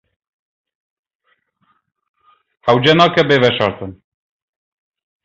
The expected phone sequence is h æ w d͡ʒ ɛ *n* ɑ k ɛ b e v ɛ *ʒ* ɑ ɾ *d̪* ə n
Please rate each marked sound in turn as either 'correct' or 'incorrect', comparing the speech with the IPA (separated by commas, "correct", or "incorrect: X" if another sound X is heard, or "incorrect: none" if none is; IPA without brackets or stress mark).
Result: correct, incorrect: ʃ, incorrect: t̪